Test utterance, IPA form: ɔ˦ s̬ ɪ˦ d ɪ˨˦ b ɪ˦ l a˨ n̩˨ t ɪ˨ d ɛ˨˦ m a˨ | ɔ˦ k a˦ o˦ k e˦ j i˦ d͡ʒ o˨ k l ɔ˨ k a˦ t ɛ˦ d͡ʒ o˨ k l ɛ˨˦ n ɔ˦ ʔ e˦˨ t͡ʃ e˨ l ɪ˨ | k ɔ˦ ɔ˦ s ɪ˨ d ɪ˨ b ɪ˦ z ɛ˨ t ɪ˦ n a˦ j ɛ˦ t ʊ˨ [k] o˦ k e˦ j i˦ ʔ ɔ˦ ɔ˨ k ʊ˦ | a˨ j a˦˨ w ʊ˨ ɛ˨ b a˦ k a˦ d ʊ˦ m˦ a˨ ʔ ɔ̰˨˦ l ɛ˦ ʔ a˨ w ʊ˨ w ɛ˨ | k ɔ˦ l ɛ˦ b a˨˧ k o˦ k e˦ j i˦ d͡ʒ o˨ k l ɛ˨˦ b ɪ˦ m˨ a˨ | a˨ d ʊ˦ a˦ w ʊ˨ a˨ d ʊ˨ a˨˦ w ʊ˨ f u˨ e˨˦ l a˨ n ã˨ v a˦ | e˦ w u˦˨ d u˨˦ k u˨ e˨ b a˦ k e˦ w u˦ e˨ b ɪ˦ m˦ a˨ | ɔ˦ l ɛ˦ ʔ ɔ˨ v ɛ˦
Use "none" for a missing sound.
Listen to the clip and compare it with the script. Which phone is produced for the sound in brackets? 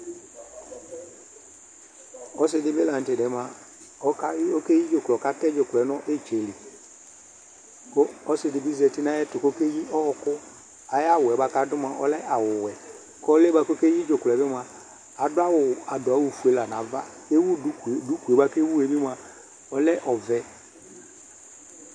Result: k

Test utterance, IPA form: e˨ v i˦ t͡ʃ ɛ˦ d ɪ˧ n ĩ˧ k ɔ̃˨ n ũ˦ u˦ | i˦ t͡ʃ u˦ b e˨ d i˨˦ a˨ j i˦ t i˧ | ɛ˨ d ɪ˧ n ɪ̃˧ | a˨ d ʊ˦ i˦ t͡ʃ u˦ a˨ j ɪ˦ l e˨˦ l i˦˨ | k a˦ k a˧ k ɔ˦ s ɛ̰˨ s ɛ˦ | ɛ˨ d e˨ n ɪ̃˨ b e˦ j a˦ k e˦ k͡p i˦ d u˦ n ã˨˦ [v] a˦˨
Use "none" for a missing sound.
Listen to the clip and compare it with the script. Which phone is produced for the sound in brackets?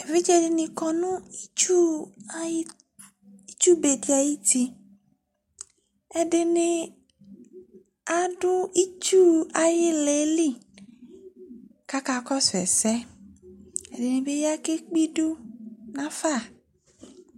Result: f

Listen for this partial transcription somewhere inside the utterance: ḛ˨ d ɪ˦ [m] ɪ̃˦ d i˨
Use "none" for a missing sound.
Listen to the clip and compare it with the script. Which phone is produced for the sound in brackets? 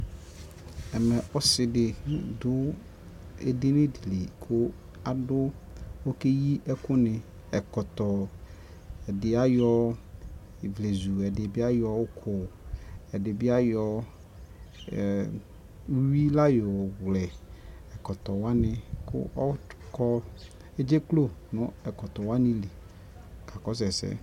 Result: n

